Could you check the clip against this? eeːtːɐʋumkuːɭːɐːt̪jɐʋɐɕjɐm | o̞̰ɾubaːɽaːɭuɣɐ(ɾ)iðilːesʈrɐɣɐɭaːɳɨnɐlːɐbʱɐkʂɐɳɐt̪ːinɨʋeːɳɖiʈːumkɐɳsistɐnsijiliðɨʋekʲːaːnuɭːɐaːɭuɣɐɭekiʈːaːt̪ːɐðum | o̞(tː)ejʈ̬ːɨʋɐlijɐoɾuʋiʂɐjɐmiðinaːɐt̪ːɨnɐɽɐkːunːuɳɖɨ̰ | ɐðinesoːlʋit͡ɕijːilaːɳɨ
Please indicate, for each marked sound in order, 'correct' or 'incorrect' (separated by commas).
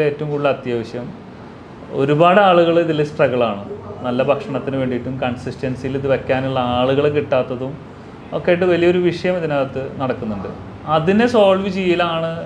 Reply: incorrect, incorrect